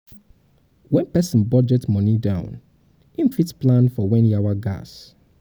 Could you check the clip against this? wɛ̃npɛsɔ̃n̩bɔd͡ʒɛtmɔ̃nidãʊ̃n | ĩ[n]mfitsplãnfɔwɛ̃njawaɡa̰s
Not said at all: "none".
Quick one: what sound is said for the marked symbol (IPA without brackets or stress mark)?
none